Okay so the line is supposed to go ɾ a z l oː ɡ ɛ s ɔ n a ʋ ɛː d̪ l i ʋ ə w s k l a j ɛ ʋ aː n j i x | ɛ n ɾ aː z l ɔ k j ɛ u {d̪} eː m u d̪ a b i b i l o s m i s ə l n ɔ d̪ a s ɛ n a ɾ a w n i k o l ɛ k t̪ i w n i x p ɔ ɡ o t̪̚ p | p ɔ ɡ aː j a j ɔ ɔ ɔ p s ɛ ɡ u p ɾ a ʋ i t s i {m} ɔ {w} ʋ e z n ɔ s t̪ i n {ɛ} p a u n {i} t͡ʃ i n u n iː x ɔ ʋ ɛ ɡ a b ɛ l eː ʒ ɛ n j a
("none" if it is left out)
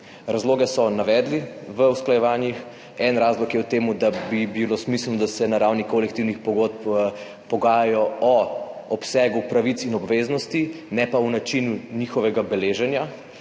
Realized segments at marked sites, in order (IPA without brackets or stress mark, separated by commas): t̪, n, b, ɛ, a